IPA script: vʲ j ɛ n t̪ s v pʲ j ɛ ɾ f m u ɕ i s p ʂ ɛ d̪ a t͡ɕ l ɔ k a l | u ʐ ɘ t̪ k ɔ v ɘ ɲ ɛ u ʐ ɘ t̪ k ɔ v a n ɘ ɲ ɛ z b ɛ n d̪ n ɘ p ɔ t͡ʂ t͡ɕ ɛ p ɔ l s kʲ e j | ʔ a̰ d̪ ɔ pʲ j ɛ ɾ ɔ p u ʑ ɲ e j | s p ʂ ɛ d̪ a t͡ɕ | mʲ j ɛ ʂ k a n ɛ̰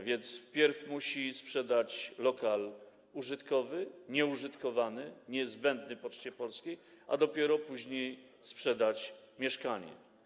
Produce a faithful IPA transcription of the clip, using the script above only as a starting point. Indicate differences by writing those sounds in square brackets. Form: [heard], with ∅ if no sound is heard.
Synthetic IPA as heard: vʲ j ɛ n t̪ s [f] pʲ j ɛ ɾ f m u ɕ i s p ʂ ɛ d̪ a t͡ɕ l ɔ k a l | u ʐ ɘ t̪ k ɔ v ɘ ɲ ɛ u ʐ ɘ t̪ k ɔ v a n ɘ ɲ ɛ z b ɛ n d̪ n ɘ p ɔ t͡ʂ t͡ɕ ɛ p ɔ l s kʲ e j | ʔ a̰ d̪ ɔ pʲ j ɛ ɾ ɔ p u ʑ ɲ e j | s p ʂ ɛ d̪ a t͡ɕ | mʲ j ɛ ʂ k a [ɲ] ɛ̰